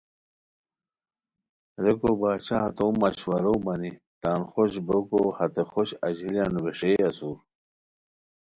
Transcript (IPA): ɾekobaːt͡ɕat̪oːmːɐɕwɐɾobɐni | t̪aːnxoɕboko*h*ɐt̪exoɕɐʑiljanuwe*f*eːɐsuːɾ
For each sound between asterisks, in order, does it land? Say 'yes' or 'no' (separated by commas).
yes, no